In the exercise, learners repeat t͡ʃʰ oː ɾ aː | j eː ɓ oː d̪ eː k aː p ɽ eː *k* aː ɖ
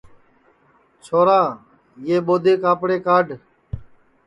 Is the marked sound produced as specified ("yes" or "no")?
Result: yes